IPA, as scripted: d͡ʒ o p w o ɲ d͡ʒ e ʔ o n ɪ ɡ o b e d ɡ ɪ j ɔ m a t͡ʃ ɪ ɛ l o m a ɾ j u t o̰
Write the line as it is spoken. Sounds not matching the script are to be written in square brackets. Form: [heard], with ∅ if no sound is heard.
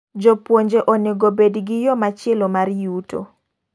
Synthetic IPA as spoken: d͡ʒ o p w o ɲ d͡ʒ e ʔ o n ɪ ɡ o b e d ɡ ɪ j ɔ m a t͡ʃ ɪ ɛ l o m a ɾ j u t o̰